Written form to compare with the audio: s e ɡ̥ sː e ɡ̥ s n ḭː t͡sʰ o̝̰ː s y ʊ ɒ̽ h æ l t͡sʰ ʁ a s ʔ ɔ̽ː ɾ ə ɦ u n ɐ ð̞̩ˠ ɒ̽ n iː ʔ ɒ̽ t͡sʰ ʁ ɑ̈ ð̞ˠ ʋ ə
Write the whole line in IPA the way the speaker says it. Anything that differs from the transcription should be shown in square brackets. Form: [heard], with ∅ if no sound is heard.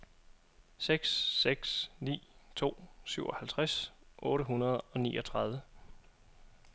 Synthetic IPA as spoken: s e ɡ̥ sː e ɡ̥ s n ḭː t͡sʰ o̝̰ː s y ʊ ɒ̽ h æ l t͡sʰ ʁ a s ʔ ɔ̽ː ɾ ə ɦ u n ɐ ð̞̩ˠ ɒ̽ n iː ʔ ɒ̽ t͡sʰ ʁ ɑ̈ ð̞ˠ ʋ ə